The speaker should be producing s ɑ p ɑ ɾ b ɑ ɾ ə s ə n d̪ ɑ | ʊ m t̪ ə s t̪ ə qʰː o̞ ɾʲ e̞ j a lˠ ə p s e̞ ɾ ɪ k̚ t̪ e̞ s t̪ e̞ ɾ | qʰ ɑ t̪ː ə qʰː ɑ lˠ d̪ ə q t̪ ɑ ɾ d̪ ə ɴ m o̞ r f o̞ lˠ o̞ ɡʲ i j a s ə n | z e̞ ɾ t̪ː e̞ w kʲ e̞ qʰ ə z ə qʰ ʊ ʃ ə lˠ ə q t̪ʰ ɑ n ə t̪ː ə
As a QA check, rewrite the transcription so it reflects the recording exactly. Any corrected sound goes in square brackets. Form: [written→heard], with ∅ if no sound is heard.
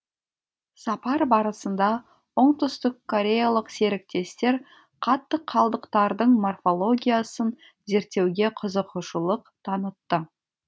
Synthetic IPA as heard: s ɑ p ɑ ɾ b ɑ ɾ ə s ə n d̪ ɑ | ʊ [m→ɴ] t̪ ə s t̪ ə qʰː o̞ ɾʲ e̞ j a lˠ ə [p→q] s e̞ ɾ ɪ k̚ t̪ e̞ s t̪ e̞ ɾ | qʰ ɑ t̪ː ə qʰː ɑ lˠ d̪ ə q t̪ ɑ ɾ d̪ ə ɴ m o̞ r f o̞ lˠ o̞ ɡʲ i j a s ə n | z e̞ ɾ t̪ː e̞ w [kʲ→ɡʲ] e̞ qʰ ə z ə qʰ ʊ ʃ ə lˠ ə q t̪ʰ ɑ n ə t̪ː ə